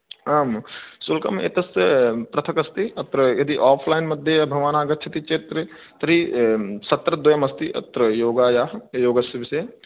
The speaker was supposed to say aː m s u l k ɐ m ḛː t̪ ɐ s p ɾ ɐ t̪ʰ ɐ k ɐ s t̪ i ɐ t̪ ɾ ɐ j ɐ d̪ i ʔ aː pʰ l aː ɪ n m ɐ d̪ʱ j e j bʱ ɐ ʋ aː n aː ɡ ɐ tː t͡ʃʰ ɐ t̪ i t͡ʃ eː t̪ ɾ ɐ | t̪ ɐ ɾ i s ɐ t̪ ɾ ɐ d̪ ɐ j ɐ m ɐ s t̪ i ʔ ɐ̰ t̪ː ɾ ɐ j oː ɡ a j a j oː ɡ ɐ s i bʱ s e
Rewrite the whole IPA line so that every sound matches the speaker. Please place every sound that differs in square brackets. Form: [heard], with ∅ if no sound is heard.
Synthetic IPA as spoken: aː m s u l k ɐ m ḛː t̪ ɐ s p ɾ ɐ t̪ʰ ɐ k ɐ s t̪ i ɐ t̪ ɾ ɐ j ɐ d̪ i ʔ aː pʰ l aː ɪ n m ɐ d̪ʱ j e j bʱ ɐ ʋ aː n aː ɡ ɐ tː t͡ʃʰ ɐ t̪ i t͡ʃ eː t̪ ɾ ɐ | t̪ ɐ ɾ i s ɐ t̪ ɾ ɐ d̪ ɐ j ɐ m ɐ s t̪ i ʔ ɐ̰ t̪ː ɾ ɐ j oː ɡ a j a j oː ɡ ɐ s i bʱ s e